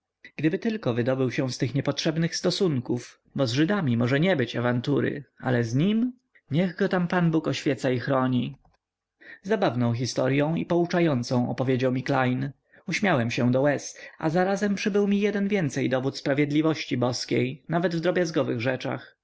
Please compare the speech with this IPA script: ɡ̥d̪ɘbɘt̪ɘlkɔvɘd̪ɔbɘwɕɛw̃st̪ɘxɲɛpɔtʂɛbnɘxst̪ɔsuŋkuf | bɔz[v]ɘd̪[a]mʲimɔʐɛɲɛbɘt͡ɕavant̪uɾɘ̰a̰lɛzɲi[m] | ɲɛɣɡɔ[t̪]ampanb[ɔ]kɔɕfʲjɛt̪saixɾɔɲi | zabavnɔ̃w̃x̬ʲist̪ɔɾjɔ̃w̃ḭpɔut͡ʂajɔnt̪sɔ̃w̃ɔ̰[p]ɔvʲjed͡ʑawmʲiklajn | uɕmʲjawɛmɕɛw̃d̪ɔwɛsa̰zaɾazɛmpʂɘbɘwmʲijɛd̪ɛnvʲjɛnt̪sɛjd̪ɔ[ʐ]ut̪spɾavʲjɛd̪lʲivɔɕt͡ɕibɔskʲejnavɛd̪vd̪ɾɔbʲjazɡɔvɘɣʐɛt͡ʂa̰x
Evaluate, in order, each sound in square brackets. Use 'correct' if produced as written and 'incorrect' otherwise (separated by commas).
incorrect, correct, correct, correct, incorrect, correct, incorrect